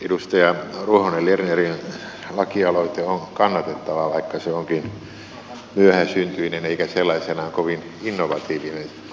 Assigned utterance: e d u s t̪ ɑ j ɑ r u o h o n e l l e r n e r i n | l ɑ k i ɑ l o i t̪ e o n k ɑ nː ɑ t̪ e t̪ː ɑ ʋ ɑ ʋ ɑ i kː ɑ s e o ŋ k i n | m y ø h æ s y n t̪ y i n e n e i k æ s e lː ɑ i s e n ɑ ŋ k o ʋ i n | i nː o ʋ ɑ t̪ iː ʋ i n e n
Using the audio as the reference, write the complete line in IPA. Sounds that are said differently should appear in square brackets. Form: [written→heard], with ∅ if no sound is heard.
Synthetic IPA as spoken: e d u s t̪ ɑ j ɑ r u o h o n e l l e r n e r i n | l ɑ k i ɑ l o i t̪ e o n k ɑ nː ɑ t̪ e t̪ː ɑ ʋ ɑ ʋ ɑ i kː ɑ s e o ŋ k i n | m y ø h æ s y n t̪ y i n e n e i k æ s e lː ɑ i s e n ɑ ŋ k o ʋ i n | i nː o ʋ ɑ t̪ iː ʋ i n e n